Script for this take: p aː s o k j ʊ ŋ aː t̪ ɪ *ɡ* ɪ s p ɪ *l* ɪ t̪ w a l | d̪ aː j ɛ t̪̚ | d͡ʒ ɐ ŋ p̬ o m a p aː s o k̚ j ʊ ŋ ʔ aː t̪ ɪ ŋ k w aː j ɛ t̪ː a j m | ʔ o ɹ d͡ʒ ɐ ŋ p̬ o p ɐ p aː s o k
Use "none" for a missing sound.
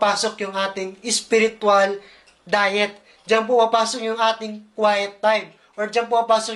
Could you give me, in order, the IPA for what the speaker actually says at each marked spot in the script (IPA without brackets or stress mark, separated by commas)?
ŋ, ɾ